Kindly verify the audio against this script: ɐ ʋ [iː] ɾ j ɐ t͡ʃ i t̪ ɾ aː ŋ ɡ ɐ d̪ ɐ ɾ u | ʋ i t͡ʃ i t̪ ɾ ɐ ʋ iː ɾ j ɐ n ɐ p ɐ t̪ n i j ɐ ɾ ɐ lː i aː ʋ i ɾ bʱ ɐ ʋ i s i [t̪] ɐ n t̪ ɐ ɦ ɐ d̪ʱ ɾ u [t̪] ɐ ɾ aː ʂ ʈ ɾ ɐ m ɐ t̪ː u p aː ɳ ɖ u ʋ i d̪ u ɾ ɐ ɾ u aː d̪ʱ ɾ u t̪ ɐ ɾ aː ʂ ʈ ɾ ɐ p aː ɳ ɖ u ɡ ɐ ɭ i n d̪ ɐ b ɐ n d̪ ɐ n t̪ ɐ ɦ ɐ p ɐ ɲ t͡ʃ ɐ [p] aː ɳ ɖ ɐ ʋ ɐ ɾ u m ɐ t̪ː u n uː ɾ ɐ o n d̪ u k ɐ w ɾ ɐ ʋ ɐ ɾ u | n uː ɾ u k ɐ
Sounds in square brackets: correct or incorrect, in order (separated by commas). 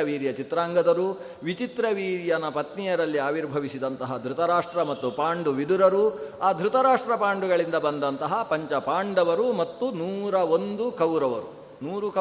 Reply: correct, incorrect, correct, correct